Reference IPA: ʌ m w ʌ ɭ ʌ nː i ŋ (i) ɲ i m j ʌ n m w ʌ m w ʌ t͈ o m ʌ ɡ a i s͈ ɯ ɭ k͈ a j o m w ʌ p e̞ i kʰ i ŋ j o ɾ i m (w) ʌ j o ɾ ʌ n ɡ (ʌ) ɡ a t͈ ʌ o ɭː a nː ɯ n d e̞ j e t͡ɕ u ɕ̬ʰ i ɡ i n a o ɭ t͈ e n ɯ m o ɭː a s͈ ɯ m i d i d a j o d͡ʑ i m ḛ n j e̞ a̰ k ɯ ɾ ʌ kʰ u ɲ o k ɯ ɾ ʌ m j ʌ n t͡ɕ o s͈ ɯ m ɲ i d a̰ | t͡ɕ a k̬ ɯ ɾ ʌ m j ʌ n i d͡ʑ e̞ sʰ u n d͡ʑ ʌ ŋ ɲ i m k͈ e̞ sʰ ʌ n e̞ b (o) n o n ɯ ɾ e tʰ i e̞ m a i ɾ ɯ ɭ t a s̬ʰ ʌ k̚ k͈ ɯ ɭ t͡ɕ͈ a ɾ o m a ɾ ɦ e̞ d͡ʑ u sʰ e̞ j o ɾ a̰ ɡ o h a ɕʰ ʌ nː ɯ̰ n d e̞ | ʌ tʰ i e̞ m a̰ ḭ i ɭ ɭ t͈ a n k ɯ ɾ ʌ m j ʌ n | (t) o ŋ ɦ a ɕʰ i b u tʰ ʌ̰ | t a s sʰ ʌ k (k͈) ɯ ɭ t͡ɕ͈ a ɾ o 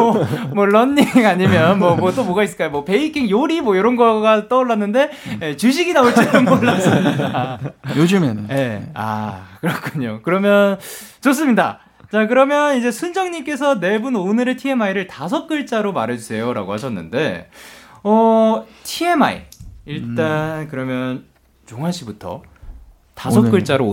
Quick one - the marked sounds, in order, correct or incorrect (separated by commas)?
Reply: incorrect, correct, correct, incorrect, incorrect, correct